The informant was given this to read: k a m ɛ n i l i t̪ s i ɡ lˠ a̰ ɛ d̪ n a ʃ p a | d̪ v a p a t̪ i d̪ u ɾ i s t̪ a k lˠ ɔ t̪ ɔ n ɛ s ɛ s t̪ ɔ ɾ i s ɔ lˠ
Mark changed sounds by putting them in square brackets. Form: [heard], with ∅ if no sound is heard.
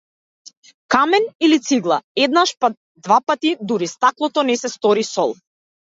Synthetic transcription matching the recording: k a m ɛ n i l i t̪ s i ɡ lˠ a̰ ɛ d̪ n a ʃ p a | d̪ v a p a t̪ i d̪ u ɾ i s t̪ a k lˠ ɔ t̪ ɔ n ɛ s ɛ s t̪ ɔ ɾ i s ɔ lˠ

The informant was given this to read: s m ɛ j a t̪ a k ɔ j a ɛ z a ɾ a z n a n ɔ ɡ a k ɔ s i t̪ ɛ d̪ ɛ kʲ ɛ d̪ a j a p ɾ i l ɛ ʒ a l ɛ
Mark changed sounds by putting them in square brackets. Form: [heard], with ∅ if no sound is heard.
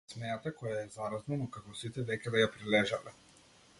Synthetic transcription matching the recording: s m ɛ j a t̪ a k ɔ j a ɛ z a ɾ a z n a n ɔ [k] a k ɔ s i t̪ ɛ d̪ ɛ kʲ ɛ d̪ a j a p ɾ i l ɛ ʒ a l ɛ

